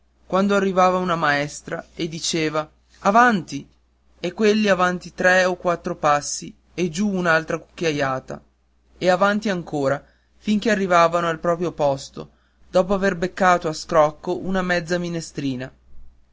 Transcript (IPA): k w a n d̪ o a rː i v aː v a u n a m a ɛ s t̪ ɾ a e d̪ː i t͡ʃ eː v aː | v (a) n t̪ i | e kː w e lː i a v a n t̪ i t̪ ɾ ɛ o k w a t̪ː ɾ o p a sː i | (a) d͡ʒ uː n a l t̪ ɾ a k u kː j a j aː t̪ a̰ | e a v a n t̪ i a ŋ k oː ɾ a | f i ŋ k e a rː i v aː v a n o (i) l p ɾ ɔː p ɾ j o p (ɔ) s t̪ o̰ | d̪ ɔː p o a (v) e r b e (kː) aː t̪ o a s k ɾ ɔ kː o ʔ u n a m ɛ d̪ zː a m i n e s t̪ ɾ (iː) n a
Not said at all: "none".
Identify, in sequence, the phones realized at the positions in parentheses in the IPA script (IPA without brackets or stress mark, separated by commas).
a, e, a, ɔ, v, kː, iː